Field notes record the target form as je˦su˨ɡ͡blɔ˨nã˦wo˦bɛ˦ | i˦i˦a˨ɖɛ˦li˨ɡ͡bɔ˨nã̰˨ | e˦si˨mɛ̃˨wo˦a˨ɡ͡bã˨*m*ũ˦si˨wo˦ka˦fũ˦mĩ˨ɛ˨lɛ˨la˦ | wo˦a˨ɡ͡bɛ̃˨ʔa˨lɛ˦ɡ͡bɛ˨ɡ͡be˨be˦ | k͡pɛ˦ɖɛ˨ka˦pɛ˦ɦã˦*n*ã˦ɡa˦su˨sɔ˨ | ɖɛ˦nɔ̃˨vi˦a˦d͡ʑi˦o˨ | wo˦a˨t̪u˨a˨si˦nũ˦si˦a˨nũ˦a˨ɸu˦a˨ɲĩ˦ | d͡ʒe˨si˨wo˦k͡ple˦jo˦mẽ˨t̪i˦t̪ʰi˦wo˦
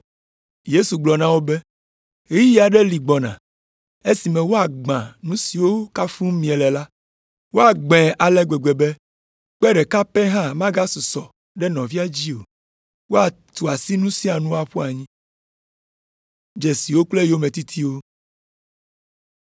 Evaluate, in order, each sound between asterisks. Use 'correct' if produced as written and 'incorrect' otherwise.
incorrect: n, incorrect: m

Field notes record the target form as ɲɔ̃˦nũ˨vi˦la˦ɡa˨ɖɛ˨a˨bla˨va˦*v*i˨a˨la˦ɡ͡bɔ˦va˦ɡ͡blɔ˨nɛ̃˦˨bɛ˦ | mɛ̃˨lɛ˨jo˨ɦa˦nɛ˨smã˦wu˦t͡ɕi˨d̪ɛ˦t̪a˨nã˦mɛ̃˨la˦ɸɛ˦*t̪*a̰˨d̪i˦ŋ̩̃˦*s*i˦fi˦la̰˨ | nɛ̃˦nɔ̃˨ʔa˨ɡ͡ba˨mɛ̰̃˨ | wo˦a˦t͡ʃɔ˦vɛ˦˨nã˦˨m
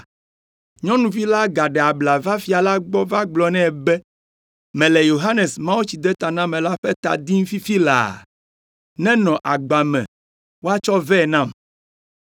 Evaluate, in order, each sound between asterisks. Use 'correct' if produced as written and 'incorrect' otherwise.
incorrect: f, correct, incorrect: f

